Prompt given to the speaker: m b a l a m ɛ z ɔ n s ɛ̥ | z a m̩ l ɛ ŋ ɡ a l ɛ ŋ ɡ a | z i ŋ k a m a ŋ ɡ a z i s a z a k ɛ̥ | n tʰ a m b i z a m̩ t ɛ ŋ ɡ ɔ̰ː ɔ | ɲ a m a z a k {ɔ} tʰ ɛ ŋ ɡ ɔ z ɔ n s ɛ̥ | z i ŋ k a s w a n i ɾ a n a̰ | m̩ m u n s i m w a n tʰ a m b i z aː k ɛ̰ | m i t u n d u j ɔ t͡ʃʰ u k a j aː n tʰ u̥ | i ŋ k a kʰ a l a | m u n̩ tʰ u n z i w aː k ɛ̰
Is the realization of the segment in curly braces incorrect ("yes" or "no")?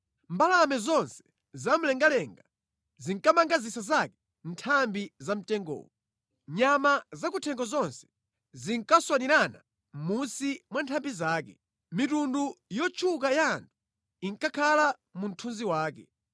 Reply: yes